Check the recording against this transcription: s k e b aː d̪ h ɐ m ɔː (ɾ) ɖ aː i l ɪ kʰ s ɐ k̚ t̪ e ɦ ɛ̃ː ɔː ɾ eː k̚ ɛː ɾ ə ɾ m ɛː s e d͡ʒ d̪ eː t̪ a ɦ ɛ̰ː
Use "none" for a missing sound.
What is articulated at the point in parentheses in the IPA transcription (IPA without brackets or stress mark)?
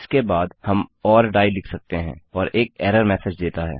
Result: ɾ